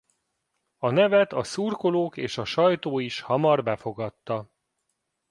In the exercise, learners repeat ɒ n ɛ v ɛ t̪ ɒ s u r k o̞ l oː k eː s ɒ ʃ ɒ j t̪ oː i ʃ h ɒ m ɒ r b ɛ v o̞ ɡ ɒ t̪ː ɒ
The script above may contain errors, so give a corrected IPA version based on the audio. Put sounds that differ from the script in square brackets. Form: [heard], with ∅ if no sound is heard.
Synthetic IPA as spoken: ɒ n ɛ v ɛ t̪ ɒ s u r k o̞ l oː k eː [ʃ] ɒ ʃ ɒ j t̪ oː i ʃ h ɒ m ɒ r b ɛ [f] o̞ ɡ ɒ t̪ː ɒ